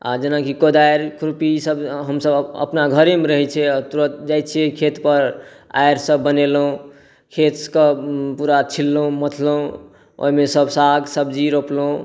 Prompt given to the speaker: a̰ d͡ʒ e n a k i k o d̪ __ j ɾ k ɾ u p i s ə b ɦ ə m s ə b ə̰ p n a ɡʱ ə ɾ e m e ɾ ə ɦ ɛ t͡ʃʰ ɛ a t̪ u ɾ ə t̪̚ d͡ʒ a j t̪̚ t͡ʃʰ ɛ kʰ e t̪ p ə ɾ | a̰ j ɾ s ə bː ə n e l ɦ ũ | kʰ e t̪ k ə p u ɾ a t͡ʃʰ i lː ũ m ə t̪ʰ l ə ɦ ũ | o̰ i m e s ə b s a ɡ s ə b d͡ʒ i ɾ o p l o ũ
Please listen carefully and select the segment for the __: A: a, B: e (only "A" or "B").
A